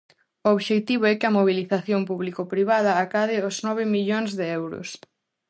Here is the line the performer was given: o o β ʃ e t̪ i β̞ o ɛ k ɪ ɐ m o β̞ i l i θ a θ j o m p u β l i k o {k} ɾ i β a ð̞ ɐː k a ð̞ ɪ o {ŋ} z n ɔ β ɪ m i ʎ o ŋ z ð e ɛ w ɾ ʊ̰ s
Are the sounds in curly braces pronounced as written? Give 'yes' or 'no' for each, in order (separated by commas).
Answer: no, no